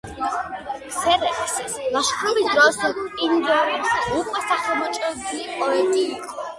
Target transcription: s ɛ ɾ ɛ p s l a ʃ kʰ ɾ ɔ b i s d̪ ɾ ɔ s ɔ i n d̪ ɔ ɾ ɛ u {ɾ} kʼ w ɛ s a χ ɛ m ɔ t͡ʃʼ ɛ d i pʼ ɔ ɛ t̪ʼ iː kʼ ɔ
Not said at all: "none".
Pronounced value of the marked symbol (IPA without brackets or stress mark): none